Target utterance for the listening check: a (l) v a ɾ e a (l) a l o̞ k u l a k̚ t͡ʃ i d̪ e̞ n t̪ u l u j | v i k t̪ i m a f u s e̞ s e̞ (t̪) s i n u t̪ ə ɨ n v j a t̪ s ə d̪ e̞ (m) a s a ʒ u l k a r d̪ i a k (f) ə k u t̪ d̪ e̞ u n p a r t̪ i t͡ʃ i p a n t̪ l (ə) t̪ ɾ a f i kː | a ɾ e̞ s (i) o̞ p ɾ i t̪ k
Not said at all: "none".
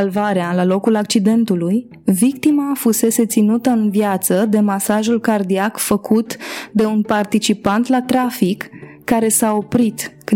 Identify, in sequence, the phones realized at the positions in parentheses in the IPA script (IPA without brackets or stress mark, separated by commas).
l, l, t̪, m, f, a, a